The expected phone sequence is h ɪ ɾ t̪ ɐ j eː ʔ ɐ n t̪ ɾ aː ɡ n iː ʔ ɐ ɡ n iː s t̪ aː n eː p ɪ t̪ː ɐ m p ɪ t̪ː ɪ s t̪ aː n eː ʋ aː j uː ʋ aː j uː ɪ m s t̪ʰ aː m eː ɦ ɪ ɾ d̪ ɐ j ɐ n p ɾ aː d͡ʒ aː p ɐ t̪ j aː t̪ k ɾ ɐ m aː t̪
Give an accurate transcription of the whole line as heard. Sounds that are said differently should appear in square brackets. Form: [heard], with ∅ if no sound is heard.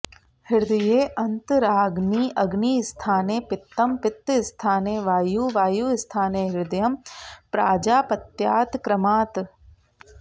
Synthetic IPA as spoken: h ɪ ɾ [d̪] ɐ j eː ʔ ɐ n t̪ ɾ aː ɡ n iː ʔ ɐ ɡ n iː s [t̪ʰ] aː n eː p ɪ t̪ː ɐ m p ɪ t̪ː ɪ s [t̪ʰ] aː n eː ʋ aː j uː ʋ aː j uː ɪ [∅] s t̪ʰ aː [n] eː ɦ ɪ ɾ d̪ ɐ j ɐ [m] p ɾ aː d͡ʒ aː p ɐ t̪ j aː t̪ k ɾ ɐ m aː t̪